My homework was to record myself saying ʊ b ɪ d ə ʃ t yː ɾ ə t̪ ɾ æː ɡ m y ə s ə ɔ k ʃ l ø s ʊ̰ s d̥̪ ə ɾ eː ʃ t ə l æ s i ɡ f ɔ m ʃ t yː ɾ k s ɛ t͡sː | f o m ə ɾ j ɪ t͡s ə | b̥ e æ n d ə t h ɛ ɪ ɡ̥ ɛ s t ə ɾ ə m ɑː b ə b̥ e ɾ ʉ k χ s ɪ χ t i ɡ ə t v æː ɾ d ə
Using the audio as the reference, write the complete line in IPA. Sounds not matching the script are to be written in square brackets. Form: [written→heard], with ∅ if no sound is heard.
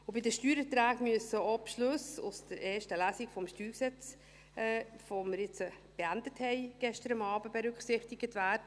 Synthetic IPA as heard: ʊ b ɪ d ə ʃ t yː ɾ ə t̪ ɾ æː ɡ m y ə s ə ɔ [k→p] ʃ l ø s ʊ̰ s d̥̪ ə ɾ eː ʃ t ə l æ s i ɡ f ɔ m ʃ t yː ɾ k s ɛ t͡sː | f o m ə ɾ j ɪ t͡s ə | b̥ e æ n d ə t h ɛ ɪ ɡ̥ ɛ [s→ʃ] t ə ɾ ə m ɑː b ə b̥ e ɾ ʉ k χ s ɪ χ t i ɡ ə t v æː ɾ d ə